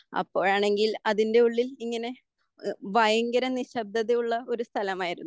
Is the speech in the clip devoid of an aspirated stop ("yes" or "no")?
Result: no